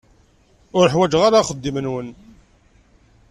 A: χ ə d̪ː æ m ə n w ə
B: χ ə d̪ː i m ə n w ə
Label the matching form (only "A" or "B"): B